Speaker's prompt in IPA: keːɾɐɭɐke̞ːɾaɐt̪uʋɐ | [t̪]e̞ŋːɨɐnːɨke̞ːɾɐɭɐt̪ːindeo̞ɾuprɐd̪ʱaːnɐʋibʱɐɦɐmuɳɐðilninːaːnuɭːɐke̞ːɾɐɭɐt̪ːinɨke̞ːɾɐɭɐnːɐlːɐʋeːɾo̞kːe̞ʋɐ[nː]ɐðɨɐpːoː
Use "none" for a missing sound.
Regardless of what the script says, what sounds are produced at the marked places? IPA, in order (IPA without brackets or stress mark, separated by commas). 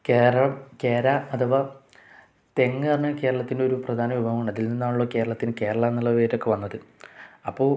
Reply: t̪, nː